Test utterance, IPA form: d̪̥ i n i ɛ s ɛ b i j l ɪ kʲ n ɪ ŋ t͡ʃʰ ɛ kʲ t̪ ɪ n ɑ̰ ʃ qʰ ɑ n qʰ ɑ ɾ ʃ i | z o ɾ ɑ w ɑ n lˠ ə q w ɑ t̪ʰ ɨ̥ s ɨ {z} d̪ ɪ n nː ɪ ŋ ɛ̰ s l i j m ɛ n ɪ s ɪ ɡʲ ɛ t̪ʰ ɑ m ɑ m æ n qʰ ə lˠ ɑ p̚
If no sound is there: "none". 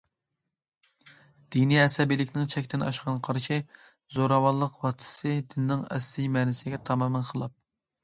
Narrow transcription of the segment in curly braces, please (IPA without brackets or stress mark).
none